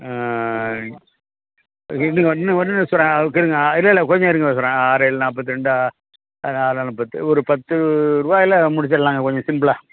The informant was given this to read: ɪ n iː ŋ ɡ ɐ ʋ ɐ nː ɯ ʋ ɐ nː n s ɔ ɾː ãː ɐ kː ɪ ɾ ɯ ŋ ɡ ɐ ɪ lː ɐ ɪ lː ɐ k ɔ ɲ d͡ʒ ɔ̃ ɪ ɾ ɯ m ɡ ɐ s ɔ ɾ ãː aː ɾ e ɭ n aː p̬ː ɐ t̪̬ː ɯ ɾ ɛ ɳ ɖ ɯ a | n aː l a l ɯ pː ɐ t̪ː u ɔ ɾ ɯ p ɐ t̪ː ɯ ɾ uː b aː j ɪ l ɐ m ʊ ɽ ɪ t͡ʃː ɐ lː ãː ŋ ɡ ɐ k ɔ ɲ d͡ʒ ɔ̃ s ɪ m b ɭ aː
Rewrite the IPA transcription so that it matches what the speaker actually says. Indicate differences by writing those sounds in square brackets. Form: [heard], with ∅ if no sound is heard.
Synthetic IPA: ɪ n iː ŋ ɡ ɐ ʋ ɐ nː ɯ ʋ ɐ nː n s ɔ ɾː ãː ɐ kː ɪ ɾ ɯ ŋ ɡ ɐ ɪ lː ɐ ɪ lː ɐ k ɔ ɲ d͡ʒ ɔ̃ ɪ ɾ ɯ [ŋ] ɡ ɐ s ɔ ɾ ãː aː ɾ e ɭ n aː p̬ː ɐ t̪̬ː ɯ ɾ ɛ ɳ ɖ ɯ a | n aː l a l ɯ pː ɐ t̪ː [ɯ] ɔ ɾ ɯ p ɐ t̪ː ɯ ɾ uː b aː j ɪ l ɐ m ʊ ɽ ɪ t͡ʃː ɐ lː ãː ŋ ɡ ɐ k ɔ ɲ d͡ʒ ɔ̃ s ɪ m b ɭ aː